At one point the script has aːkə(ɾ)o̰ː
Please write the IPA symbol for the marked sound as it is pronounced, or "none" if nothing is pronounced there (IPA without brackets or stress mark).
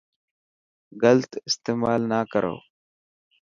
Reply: ɾ